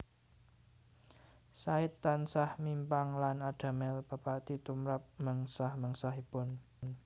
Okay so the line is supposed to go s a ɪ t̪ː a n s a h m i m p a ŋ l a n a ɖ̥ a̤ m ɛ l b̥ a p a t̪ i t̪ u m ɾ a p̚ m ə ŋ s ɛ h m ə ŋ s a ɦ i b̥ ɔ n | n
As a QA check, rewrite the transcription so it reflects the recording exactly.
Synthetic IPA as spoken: s a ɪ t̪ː a n s a h m i m p a ŋ l a n a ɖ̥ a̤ m ɛ l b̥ a p a t̪ i t̪ u m ɾ a p̚ m ə ŋ s a h m ə ŋ s a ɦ i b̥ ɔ n | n